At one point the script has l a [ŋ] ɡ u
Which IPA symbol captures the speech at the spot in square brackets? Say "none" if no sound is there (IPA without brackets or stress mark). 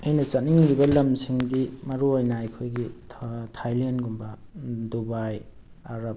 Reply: n